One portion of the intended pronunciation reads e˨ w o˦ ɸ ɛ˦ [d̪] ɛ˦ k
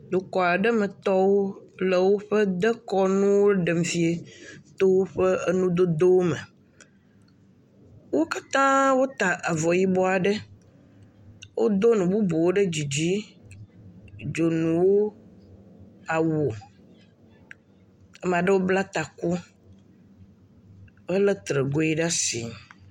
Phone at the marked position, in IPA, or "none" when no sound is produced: d̪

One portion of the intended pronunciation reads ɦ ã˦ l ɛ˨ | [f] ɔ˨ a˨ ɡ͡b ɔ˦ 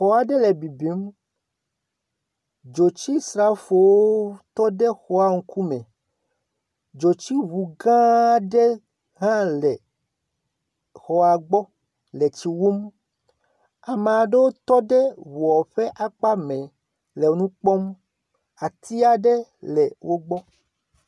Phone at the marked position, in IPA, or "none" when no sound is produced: x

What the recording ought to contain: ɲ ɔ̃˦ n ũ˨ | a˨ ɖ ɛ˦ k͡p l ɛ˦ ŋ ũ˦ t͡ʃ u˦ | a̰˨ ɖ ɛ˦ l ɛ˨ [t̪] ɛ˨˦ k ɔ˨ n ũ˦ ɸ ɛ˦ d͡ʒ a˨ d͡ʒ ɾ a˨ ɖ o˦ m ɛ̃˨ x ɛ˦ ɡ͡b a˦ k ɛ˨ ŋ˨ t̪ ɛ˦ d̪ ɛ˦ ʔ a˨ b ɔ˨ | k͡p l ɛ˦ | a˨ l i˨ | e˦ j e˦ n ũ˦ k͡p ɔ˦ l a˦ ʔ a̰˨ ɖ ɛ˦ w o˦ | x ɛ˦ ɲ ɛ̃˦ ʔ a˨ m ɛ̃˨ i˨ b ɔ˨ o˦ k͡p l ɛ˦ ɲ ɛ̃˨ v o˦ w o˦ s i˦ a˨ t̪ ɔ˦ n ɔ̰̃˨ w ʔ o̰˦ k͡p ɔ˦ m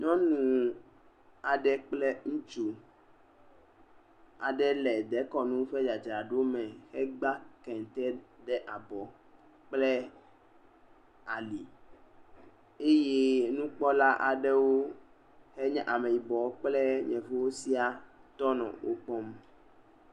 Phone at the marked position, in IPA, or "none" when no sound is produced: d̪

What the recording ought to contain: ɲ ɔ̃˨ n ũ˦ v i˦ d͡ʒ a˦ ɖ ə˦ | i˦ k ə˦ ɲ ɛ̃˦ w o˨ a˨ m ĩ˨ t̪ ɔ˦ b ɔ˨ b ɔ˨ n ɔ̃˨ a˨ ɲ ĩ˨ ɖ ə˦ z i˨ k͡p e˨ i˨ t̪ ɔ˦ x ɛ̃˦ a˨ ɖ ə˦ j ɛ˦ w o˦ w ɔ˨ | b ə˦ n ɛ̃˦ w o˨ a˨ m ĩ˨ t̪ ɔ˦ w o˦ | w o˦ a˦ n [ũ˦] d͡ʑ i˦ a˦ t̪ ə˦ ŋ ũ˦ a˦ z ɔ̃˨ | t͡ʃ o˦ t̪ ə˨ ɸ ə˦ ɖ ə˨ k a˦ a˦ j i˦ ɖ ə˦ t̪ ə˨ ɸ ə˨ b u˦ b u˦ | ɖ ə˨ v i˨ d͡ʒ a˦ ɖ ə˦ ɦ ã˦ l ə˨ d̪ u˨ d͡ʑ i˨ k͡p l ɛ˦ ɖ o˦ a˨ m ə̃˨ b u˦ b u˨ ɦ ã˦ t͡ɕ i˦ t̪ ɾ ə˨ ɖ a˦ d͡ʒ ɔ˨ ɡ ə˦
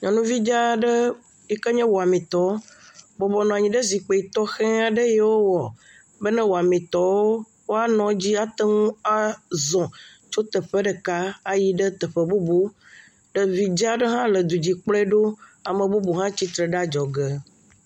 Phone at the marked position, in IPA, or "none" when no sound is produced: ɔ̃˦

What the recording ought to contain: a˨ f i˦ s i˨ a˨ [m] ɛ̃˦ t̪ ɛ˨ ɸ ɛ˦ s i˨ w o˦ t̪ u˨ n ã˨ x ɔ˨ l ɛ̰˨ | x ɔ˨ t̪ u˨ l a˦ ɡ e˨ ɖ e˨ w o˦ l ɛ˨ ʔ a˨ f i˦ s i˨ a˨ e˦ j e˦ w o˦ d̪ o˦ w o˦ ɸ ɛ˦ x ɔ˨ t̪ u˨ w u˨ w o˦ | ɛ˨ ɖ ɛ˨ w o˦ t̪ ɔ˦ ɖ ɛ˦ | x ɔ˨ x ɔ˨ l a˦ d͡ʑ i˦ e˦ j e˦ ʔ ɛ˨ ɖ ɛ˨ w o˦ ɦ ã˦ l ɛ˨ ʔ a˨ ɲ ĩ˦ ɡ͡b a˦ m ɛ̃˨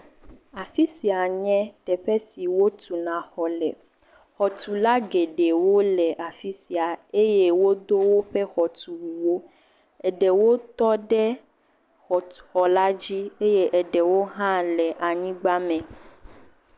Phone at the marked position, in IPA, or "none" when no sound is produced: ɲ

